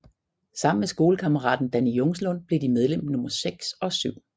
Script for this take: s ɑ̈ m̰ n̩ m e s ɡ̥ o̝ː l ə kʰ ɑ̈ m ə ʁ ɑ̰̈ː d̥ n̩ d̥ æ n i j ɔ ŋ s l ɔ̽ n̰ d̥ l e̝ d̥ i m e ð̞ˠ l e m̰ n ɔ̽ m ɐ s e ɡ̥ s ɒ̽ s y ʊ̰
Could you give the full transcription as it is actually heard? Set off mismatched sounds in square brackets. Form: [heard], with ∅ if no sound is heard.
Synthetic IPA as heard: s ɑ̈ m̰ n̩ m e s ɡ̥ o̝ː l ə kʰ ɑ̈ m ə ʁ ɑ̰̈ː d̥ n̩ d̥ æ n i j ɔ ŋ s l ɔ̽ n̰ [b̥] l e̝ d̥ i m e ð̞ˠ l e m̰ n ɔ̽ m ɐ s e ɡ̥ s ɒ̽ s y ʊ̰